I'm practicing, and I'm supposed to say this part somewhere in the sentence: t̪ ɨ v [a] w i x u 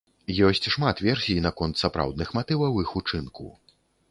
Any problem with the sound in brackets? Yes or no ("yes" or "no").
yes